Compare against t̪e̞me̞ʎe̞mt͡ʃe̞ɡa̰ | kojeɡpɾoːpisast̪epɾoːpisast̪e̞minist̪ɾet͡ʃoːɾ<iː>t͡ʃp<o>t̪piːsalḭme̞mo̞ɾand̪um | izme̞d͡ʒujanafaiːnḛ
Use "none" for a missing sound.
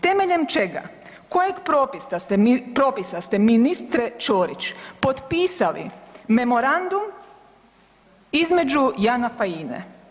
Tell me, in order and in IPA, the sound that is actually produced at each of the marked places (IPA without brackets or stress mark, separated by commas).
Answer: i, o